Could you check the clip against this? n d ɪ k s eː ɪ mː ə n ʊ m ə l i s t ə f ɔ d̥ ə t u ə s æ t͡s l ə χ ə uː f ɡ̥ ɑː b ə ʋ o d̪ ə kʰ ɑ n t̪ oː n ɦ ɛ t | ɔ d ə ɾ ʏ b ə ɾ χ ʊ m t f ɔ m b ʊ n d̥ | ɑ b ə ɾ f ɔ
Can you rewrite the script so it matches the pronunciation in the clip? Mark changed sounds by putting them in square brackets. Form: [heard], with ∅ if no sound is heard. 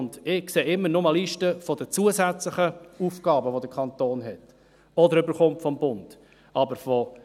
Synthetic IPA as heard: n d ɪ k s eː ɪ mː ə n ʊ m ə l i [ʃ] t ə f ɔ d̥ ə [t͡s] u ə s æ t͡s l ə χ ə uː f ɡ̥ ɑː b ə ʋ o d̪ ə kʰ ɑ n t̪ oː n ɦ ɛ t | ɔ d ə ɾ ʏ b ə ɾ χ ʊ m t f ɔ m b ʊ n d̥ | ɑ b ə ɾ f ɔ

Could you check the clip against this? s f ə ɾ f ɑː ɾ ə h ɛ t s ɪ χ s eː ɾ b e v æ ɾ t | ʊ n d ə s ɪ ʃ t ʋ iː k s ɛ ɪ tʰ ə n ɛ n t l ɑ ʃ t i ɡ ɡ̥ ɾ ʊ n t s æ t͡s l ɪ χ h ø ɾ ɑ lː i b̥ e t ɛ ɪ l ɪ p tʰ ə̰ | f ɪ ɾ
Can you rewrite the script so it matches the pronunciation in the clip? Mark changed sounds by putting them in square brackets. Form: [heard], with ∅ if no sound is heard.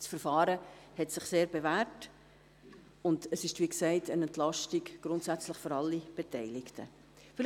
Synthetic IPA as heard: s f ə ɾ f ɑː ɾ ə h ɛ t s ɪ χ s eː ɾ b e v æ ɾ t | ʊ n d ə s ɪ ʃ t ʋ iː k s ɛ ɪ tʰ ə n ɛ n t l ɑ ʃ t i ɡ ɡ̥ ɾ ʊ n t s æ t͡s l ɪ χ [f] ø ɾ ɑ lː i b̥ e t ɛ ɪ l ɪ [k] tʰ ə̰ | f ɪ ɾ

